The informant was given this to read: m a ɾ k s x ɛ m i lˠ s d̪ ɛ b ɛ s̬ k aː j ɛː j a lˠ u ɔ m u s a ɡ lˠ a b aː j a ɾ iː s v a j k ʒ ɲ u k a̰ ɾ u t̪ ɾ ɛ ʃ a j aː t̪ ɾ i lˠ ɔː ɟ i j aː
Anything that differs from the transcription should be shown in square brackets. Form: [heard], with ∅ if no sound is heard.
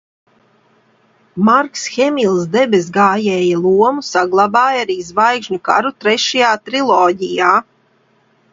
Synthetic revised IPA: m a ɾ k s x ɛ m i lˠ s d̪ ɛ b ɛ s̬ [ɡ] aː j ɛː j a lˠ u ɔ m u s a ɡ lˠ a b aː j a ɾ iː [z] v a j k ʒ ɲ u k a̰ ɾ u t̪ ɾ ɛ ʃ a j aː t̪ ɾ i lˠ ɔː ɟ i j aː